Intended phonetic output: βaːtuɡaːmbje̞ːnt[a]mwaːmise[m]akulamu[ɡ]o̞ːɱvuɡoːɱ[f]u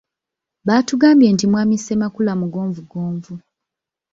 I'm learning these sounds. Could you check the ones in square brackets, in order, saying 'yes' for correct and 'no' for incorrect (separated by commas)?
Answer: no, yes, yes, no